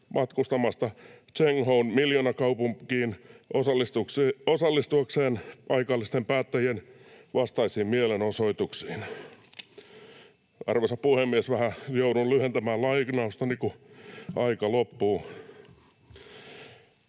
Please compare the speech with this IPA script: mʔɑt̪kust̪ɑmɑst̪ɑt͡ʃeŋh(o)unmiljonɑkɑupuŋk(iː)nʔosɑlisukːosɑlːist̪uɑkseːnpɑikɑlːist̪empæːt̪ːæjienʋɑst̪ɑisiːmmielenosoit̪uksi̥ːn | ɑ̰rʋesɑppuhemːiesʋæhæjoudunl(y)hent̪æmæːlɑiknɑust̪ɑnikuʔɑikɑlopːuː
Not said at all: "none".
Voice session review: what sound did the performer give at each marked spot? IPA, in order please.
o, iː, y

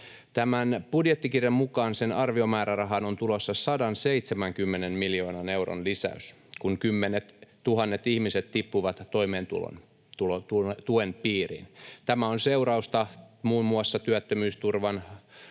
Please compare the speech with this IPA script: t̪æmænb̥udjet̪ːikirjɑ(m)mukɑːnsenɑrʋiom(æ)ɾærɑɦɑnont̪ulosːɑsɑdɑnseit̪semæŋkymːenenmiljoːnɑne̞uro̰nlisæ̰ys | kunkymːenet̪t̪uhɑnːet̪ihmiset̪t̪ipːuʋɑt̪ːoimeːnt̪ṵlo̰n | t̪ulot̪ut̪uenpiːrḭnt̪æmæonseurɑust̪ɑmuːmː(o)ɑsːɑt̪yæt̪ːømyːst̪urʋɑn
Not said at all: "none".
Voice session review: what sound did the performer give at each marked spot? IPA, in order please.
m, æː, u

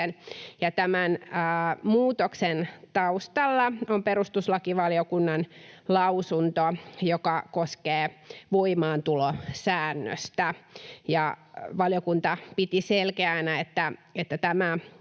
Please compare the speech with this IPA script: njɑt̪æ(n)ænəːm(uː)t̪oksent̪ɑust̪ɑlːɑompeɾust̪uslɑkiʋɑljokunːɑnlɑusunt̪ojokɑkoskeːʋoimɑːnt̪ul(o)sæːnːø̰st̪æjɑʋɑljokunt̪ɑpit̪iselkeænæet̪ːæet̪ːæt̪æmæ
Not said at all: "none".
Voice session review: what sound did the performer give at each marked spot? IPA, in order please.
m, uː, o

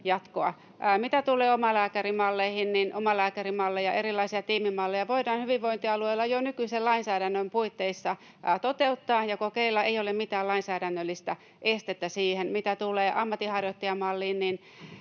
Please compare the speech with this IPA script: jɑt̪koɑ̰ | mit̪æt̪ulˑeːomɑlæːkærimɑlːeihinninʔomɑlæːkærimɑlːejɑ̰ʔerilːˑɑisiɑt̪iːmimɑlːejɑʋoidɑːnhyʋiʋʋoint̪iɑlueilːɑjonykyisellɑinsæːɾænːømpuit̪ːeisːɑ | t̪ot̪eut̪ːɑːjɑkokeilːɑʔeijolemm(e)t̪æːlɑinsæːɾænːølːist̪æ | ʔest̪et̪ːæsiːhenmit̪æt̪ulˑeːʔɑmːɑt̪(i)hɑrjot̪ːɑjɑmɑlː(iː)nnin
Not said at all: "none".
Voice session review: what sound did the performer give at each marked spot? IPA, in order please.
i, i, iː

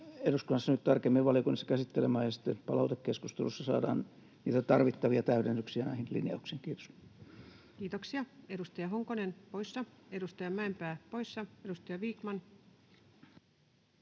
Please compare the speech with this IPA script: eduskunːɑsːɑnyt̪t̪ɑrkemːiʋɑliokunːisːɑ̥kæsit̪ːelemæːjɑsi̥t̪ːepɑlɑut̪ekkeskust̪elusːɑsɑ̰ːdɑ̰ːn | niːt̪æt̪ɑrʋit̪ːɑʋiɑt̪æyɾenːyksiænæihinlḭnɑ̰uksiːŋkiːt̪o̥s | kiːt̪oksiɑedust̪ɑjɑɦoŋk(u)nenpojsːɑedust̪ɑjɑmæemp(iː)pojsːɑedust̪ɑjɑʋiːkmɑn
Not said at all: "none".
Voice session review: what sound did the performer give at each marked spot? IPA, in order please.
o, æː

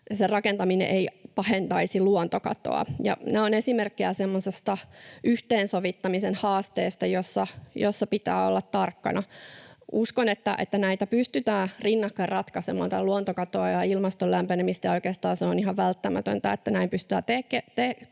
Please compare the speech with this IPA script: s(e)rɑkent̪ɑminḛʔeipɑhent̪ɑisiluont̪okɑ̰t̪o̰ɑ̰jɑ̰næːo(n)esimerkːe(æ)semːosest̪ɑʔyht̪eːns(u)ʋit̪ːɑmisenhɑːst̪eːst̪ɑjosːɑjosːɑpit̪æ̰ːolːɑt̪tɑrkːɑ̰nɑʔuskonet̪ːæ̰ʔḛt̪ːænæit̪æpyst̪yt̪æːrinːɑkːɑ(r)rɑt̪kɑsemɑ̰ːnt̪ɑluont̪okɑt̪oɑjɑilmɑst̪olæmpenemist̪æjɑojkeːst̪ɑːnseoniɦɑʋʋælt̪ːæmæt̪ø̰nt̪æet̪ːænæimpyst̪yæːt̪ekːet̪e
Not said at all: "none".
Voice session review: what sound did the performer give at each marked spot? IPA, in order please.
e, n, æ, o, r

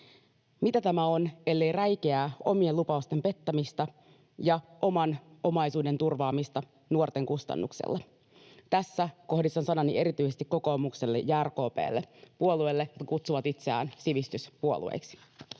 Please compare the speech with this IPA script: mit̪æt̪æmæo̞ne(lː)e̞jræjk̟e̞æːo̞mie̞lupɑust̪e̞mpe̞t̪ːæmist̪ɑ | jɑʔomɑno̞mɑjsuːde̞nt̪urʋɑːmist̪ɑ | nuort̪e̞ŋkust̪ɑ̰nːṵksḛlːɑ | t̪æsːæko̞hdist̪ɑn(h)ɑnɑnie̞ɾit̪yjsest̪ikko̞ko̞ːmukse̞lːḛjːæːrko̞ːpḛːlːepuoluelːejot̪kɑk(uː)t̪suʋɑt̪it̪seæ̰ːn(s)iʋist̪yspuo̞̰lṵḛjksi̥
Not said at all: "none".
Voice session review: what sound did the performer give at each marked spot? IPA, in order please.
lː, s, u, s

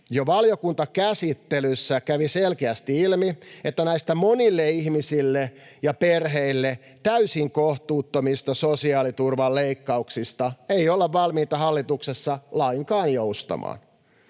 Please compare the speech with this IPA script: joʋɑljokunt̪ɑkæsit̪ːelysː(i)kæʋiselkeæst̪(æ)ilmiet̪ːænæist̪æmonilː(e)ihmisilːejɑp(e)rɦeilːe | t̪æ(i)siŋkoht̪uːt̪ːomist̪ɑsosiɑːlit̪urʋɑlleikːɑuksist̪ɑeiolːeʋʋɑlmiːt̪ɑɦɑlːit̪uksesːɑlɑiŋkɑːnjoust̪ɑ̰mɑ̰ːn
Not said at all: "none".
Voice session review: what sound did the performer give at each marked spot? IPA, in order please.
æ, i, e, e, y

